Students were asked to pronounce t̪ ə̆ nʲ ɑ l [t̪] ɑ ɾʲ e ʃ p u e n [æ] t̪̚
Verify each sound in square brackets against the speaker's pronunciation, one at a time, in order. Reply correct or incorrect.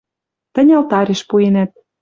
correct, correct

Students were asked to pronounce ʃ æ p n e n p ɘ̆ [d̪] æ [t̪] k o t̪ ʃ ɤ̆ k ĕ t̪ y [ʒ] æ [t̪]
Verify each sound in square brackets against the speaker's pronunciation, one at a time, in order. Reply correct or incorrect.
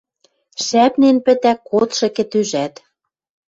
incorrect: t̪, incorrect: none, correct, correct

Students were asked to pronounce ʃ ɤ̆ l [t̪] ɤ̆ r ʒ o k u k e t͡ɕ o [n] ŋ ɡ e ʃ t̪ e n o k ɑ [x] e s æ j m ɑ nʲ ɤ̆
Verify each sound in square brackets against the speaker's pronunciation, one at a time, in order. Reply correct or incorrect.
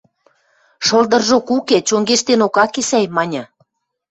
incorrect: d̪, incorrect: none, incorrect: k

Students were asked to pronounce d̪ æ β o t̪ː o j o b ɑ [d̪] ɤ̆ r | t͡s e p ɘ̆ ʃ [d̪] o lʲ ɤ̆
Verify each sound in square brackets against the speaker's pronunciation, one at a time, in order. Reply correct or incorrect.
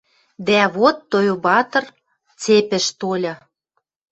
incorrect: t̪, incorrect: t̪

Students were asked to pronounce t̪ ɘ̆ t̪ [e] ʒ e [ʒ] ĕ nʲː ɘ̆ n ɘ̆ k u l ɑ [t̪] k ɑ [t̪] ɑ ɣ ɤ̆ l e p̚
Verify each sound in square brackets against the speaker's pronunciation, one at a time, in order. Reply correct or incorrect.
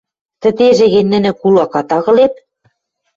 correct, incorrect: ɣ, incorrect: none, correct

